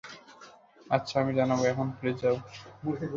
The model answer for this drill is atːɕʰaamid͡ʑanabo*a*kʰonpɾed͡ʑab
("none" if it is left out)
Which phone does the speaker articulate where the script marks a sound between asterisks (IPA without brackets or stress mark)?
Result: ɛ